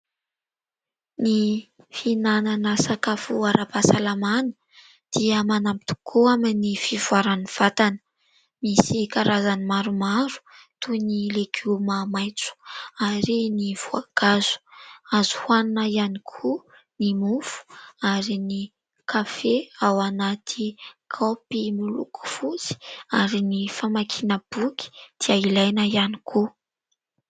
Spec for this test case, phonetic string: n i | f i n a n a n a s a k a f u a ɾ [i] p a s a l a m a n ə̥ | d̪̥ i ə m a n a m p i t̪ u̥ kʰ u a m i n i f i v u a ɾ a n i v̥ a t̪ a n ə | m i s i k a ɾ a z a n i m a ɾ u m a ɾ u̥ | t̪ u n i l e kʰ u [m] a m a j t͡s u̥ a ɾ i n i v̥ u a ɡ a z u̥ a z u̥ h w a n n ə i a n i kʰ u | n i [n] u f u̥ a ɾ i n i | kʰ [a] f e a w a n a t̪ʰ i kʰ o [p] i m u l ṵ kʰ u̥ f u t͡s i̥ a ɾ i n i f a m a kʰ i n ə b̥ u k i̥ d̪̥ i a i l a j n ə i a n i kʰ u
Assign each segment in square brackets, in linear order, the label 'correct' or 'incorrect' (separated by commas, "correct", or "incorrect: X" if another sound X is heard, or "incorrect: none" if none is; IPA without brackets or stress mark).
incorrect: a, correct, incorrect: m, correct, correct